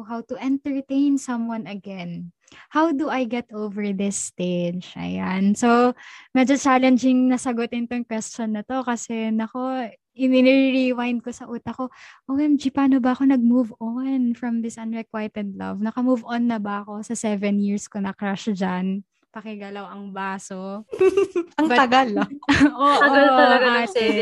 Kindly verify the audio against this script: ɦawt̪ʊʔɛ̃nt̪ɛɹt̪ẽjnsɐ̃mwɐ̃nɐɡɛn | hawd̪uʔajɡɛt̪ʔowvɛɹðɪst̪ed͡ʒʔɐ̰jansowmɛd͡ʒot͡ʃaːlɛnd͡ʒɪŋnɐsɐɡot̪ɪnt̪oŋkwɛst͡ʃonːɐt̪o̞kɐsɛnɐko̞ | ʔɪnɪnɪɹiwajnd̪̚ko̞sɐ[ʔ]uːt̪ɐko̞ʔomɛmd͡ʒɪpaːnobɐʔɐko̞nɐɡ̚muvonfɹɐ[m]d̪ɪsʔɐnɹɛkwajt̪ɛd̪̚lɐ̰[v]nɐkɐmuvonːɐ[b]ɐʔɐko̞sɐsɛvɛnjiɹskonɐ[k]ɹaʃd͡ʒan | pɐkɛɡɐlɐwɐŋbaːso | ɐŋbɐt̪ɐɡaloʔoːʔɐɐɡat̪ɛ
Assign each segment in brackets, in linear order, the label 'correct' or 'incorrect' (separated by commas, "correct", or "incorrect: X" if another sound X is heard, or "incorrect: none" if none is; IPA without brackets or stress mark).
correct, correct, correct, correct, correct